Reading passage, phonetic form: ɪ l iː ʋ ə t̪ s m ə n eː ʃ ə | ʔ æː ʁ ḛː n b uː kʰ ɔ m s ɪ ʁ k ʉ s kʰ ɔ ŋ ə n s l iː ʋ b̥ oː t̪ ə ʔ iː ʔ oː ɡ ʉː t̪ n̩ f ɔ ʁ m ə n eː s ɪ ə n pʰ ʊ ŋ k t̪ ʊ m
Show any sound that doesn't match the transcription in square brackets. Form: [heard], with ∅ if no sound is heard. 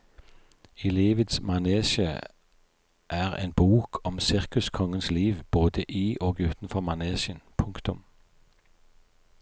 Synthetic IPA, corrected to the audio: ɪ l iː ʋ ə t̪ s m [ɑ] n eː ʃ ə | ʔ æː ʁ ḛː n b uː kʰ ɔ m s ɪ ʁ k ʉ s kʰ ɔ ŋ ə n s l iː ʋ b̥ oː [d̪] ə ʔ iː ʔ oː ɡ ʉː t̪ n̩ f ɔ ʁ m [ɑ] n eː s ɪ ə n pʰ ʊ ŋ k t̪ ʊ m